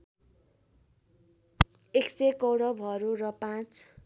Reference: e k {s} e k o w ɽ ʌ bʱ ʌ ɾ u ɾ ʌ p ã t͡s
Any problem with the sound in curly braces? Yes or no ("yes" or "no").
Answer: no